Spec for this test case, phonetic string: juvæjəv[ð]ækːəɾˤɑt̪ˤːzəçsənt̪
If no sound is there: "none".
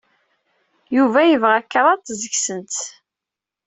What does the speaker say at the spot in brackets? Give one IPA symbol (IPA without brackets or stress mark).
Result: ʁ